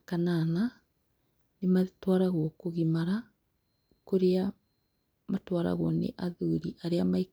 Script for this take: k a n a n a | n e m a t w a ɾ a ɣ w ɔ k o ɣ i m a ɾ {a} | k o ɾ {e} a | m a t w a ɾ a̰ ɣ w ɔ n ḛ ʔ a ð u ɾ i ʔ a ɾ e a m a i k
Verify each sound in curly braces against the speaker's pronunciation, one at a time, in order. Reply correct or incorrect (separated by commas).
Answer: correct, correct